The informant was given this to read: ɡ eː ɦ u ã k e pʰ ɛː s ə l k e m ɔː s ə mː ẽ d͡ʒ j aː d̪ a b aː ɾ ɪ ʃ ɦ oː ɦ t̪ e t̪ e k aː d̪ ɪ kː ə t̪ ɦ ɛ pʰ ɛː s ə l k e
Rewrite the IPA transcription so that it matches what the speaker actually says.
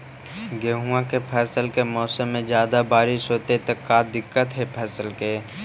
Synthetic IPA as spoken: ɡ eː ɦ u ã k e pʰ ɛː s ə l k e m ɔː s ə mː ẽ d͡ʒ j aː d̪ a b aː ɾ ɪ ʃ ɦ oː t̪ e t̪ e k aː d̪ ɪ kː ə t̪ ɦ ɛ pʰ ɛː s ə l k e